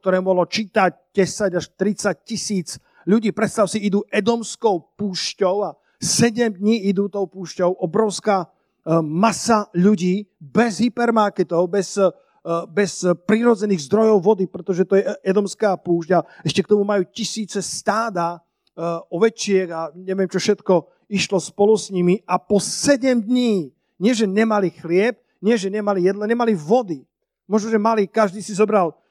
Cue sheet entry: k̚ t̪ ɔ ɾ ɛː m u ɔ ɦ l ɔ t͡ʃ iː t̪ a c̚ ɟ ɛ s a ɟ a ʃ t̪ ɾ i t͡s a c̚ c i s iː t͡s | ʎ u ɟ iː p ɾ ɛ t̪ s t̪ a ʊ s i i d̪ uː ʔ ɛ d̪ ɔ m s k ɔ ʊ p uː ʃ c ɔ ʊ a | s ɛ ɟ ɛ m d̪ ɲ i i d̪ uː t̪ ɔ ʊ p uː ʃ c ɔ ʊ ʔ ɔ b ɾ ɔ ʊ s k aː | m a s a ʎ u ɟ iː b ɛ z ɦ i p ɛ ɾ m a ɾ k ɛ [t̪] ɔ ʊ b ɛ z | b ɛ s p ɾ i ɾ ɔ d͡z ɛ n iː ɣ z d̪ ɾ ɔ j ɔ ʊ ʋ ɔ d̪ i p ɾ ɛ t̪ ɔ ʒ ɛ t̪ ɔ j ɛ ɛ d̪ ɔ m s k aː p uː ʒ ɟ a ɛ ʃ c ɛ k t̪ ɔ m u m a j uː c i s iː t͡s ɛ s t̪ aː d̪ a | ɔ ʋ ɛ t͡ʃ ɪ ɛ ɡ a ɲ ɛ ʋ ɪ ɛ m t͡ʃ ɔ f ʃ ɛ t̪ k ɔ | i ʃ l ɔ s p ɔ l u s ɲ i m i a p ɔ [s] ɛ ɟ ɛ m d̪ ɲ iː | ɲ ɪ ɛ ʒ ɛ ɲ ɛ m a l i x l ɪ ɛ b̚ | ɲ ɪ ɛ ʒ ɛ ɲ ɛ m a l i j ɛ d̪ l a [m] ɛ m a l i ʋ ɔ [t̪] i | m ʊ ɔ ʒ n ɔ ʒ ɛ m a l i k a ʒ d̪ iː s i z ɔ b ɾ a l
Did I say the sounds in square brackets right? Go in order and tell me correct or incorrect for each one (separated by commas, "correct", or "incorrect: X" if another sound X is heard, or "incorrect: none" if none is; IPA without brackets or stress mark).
correct, correct, incorrect: ɲ, incorrect: d̪